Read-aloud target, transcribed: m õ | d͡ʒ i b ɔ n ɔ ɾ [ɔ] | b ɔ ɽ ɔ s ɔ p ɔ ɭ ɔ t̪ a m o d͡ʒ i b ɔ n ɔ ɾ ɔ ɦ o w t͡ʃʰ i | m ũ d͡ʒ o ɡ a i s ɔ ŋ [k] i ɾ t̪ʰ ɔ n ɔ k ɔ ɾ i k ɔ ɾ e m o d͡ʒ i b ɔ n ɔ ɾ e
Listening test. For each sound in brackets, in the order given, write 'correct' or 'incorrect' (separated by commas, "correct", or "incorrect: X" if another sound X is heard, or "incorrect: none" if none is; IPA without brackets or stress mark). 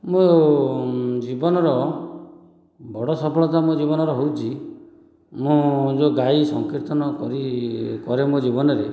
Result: correct, correct